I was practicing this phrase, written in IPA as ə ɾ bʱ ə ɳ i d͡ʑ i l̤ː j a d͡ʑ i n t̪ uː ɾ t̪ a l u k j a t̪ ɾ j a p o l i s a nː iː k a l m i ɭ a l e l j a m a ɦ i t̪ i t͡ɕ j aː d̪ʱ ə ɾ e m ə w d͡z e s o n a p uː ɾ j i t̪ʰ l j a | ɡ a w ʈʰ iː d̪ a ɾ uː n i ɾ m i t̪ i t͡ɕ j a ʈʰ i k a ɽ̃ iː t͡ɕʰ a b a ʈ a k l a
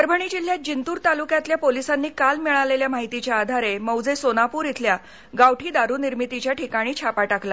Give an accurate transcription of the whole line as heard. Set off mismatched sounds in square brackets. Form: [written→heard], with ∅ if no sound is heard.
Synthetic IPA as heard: ə ɾ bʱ ə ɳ i d͡ʑ i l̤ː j a d͡ʑ i n t̪ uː ɾ t̪ a l u k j a t̪ [ɾ→l] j a p o l i s a nː iː k a l m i ɭ a l e l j a m a ɦ i t̪ i t͡ɕ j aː d̪ʱ [ə→a] ɾ e m ə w d͡z e s o n a p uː ɾ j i t̪ʰ l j a | ɡ a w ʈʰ iː d̪ a ɾ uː n i ɾ m i t̪ i t͡ɕ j a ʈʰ i k a ɽ̃ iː t͡ɕʰ a [b→p] a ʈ a k l a